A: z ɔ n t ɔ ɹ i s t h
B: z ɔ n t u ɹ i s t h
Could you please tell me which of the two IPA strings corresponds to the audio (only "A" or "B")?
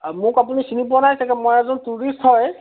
B